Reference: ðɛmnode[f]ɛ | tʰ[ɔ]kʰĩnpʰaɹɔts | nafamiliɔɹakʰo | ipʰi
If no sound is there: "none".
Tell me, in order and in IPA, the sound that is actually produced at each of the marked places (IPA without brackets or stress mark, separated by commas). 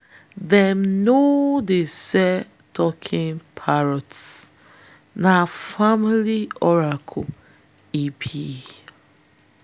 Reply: s, ɔ